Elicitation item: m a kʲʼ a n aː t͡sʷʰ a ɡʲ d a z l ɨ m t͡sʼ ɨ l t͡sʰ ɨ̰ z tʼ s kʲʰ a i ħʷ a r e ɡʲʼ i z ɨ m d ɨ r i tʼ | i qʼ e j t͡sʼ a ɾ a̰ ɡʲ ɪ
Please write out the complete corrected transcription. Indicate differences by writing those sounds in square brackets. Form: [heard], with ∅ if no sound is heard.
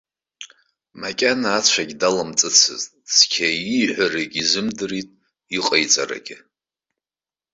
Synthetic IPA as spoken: m a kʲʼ a n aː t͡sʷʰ a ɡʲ d a [∅] l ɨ m t͡sʼ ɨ [∅] t͡sʰ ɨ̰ z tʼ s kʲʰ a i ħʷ a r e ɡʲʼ i z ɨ m d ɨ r i tʼ | i qʼ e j t͡sʼ a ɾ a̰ ɡʲ ɪ